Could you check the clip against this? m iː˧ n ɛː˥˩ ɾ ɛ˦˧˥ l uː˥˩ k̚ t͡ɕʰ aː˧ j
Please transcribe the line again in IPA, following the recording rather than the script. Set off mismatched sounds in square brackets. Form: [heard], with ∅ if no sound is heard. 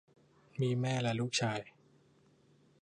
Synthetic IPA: m iː˧ [m] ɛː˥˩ [l] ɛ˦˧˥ l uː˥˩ k̚ t͡ɕʰ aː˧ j

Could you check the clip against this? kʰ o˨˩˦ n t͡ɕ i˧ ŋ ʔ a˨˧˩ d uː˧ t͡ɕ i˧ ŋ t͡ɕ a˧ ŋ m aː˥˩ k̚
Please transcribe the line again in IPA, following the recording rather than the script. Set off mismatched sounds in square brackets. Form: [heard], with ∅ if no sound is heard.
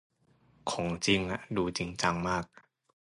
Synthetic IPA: kʰ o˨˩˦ [ŋ] t͡ɕ i˧ ŋ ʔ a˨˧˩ d uː˧ t͡ɕ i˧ ŋ t͡ɕ a˧ ŋ m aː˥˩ k̚

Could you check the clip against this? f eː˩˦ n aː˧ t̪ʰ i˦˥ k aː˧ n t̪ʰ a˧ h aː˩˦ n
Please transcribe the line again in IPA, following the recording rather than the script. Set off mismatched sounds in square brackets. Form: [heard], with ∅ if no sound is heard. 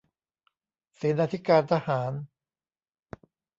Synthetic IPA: [s] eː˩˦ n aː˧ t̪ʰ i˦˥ k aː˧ n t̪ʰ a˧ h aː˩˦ n

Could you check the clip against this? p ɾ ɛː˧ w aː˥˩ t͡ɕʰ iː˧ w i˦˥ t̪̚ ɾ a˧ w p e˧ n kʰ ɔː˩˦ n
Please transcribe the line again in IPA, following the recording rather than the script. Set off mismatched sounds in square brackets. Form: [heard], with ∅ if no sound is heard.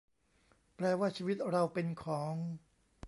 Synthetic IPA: p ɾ ɛː˧ w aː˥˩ t͡ɕʰ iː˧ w i˦˥ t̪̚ ɾ a˧ w p e˧ n kʰ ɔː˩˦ [ŋ]

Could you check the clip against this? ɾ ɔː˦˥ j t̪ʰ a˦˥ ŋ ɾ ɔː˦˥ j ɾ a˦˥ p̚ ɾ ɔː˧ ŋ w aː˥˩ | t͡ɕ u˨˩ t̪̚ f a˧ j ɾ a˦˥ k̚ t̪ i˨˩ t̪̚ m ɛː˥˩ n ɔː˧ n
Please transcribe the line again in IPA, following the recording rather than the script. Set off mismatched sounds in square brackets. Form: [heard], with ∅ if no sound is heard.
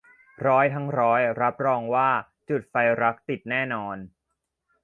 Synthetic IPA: ɾ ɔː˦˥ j t̪ʰ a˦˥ ŋ ɾ ɔː˦˥ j ɾ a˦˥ p̚ ɾ ɔː˧ ŋ w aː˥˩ | t͡ɕ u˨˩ t̪̚ f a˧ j ɾ a˦˥ k̚ t̪ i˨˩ t̪̚ [n] ɛː˥˩ n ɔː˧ n

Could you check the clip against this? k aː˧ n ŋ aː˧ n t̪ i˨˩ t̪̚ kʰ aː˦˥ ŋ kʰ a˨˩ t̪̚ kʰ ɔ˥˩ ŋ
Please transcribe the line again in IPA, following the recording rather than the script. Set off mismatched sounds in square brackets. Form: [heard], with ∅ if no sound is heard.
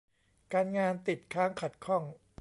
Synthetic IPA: k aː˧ n ŋ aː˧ n t̪ i˨˩ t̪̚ kʰ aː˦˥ ŋ kʰ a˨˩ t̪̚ kʰ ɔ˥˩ ŋ

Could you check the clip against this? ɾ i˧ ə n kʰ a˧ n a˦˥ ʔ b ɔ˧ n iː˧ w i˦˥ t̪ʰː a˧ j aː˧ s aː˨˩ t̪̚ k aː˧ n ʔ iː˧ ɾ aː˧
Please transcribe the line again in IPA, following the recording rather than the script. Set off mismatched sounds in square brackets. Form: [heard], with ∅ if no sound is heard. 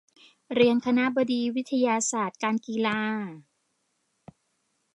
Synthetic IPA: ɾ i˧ ə n kʰ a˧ n a˦˥ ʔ b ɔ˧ [d] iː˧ w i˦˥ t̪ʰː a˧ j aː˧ s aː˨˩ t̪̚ k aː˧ n [k] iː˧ [l] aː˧

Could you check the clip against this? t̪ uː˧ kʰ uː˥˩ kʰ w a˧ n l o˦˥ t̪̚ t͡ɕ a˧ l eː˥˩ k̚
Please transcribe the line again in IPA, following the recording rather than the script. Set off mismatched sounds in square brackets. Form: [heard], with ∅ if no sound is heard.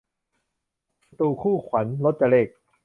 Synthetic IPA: t̪ uː˧ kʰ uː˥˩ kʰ w [a˩˦] n l o˦˥ t̪̚ t͡ɕ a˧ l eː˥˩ k̚

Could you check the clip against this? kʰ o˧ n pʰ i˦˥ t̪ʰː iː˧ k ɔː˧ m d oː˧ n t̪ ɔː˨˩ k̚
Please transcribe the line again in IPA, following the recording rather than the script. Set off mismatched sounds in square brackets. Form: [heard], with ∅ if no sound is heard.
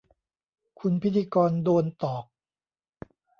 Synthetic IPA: kʰ [u˧] n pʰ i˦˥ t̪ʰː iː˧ k ɔː˧ [n] d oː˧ n t̪ ɔː˨˩ k̚

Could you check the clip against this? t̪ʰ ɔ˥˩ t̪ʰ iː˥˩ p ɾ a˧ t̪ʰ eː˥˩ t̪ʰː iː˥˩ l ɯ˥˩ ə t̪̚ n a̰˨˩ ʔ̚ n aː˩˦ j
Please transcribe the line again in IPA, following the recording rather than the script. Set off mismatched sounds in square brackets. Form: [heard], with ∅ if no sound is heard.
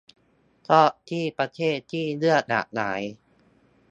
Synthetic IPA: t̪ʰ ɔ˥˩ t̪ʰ iː˥˩ p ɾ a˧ t̪ʰ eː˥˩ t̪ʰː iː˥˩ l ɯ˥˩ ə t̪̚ n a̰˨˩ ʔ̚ n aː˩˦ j

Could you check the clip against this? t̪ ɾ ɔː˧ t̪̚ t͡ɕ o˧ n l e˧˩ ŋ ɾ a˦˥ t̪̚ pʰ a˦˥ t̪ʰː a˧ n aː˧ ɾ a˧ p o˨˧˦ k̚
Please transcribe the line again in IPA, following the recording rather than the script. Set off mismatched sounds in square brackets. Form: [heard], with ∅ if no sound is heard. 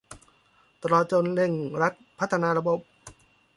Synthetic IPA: t̪ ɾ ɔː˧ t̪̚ t͡ɕ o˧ n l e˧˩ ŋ ɾ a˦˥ t̪̚ pʰ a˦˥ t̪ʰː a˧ n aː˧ ɾ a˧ [b] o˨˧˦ [p̚]

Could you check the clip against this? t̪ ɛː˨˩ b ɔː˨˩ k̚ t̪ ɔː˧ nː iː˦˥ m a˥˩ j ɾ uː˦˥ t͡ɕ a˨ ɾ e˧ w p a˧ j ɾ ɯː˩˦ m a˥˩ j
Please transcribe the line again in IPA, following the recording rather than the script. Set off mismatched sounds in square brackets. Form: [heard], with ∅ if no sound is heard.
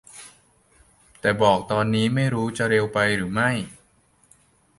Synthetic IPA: t̪ ɛː˨˩ b ɔː˨˩ k̚ t̪ ɔː˧ nː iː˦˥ m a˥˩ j ɾ uː˦˥ t͡ɕ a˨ ɾ e˧ w p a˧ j ɾ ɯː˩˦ m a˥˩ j

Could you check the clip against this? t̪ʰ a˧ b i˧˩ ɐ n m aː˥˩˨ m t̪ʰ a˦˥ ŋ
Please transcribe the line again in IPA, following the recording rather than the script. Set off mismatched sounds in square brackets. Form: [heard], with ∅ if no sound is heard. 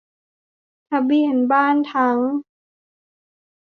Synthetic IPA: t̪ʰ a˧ b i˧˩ [ə] n [b] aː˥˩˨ [n] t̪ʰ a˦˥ ŋ

